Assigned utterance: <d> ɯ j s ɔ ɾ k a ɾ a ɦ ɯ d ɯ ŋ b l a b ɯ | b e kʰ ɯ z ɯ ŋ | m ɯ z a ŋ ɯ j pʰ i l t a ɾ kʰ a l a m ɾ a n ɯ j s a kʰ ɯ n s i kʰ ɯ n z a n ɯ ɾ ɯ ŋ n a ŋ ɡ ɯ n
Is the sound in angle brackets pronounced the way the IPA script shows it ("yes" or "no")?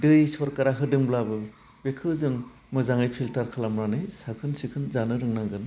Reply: yes